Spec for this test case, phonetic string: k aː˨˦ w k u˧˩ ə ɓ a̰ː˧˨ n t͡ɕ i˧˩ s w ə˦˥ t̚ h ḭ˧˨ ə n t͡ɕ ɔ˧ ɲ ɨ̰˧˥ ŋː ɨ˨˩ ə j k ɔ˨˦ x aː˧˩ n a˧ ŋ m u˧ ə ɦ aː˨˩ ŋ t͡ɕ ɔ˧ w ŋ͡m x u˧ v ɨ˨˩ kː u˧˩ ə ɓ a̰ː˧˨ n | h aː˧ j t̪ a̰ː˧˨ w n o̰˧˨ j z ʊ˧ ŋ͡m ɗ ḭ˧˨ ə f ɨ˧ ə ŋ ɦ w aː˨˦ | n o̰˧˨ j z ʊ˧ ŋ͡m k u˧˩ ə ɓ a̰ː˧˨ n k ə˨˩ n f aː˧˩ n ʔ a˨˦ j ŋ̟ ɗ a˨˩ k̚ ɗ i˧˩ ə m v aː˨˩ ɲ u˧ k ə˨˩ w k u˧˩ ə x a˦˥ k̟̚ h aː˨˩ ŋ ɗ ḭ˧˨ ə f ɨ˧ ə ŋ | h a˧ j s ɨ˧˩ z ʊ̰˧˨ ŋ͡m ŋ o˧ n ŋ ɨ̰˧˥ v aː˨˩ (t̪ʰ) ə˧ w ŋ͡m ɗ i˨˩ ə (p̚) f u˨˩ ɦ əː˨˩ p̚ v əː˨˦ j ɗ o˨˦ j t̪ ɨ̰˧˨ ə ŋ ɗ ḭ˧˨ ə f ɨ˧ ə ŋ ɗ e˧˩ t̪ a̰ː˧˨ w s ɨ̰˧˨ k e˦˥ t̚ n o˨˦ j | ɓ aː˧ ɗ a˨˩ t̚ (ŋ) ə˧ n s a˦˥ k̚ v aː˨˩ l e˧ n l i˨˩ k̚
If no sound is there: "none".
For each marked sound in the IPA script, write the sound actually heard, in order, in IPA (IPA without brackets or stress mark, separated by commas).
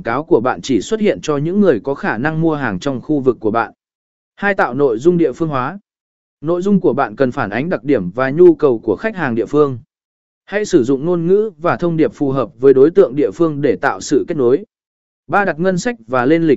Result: t̪ʰ, p̚, ŋ